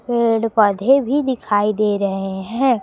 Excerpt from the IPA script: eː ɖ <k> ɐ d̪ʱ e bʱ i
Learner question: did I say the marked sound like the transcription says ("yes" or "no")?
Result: no